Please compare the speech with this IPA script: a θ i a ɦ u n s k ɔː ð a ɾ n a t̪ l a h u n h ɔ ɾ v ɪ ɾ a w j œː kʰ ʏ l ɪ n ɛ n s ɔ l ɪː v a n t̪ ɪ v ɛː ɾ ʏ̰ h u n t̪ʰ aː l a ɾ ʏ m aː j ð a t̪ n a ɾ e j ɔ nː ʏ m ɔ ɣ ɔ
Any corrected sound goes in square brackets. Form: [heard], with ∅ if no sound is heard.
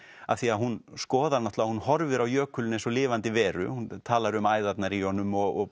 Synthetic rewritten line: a θ i a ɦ u n s k ɔː ð a ɾ n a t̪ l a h u n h ɔ ɾ v ɪ ɾ a w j œː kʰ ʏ l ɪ n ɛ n s ɔ l ɪː v a n t̪ ɪ v ɛː ɾ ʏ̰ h u n t̪ʰ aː l a ɾ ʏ m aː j ð a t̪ n a ɾ [i] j ɔ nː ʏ m ɔ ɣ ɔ